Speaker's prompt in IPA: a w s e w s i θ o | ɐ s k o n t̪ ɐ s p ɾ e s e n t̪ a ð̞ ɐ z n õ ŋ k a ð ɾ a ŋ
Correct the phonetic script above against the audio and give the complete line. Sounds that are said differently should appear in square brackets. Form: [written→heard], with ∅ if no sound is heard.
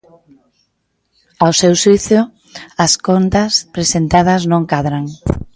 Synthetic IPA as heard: a w s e w s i θ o | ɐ s k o n t̪ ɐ s p ɾ e s e n t̪ a ð̞ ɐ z n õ ŋ k a ð ɾ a ŋ